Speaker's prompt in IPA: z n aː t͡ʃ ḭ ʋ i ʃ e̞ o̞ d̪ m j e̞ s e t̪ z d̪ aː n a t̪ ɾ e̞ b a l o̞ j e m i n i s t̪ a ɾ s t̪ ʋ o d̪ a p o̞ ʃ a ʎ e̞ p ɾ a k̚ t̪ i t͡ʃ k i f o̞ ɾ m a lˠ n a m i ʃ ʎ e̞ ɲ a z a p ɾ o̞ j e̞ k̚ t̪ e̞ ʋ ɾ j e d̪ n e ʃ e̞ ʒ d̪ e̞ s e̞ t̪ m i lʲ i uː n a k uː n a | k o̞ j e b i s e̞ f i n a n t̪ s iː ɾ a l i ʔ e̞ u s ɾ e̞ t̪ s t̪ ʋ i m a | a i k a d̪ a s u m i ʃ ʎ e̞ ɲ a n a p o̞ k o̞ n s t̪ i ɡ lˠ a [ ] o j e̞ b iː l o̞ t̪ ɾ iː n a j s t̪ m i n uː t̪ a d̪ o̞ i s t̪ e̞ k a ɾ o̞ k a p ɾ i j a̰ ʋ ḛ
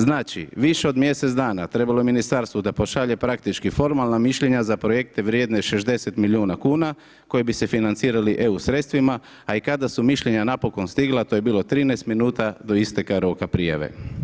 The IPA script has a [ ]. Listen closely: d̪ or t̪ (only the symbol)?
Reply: t̪